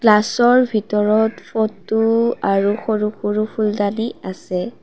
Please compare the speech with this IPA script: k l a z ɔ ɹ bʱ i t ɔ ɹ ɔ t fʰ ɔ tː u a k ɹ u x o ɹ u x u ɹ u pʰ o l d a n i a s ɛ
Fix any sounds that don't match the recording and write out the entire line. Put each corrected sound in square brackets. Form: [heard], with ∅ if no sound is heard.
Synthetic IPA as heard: k l a [s] ɔ ɹ bʱ i t ɔ ɹ ɔ t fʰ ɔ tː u a [∅] ɹ u x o ɹ u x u ɹ u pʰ [u] l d a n i a s ɛ